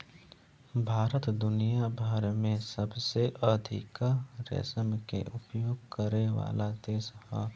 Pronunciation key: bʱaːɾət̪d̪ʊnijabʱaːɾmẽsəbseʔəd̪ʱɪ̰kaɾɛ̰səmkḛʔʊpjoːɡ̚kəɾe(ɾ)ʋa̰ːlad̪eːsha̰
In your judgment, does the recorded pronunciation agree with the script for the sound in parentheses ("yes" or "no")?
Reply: no